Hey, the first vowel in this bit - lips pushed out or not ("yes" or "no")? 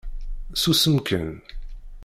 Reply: yes